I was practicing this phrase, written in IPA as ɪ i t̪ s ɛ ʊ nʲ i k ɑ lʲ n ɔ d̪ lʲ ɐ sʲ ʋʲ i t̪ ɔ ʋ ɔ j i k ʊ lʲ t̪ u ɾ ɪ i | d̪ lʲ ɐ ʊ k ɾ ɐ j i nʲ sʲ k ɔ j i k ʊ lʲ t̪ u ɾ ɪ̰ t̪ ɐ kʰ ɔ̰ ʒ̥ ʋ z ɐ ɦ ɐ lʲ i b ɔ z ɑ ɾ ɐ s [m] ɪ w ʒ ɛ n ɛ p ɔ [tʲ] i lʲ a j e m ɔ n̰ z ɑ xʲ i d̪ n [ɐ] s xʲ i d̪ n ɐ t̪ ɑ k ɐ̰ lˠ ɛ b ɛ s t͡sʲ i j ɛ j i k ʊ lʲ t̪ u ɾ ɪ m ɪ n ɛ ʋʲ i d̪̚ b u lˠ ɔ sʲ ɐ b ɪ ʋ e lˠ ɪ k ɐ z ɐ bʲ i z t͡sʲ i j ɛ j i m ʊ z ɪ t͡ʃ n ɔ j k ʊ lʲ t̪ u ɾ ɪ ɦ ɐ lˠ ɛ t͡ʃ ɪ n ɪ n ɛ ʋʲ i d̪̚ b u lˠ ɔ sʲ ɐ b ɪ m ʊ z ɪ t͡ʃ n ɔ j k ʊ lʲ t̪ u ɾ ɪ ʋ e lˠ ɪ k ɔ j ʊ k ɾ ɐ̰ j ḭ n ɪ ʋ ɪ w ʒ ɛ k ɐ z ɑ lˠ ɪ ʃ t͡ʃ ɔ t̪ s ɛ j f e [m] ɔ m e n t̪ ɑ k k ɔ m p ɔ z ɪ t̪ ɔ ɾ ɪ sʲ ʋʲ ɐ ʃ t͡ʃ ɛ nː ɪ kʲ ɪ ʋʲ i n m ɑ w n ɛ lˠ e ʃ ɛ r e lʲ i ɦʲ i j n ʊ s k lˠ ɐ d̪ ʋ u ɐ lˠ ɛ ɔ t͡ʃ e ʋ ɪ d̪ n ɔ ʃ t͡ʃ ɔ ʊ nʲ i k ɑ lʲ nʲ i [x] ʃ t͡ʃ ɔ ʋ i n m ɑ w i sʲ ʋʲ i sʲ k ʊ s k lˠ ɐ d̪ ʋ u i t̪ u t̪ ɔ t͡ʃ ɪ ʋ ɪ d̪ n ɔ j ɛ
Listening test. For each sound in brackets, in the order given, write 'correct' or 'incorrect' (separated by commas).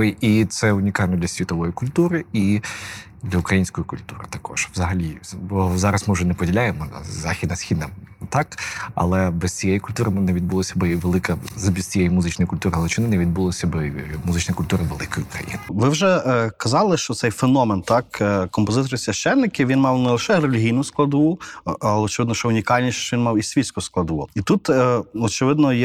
correct, incorrect, correct, incorrect, incorrect